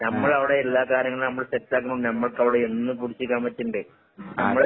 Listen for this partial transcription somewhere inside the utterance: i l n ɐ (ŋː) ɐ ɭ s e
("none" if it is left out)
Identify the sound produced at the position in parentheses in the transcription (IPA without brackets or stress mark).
mː